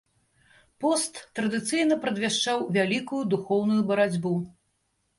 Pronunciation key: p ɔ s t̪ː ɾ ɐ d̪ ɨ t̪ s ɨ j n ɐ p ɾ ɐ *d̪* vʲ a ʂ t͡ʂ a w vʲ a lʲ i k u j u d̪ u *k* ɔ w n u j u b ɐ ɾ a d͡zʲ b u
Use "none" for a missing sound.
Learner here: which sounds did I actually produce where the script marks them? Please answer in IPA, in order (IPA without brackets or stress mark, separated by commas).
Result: d̪, x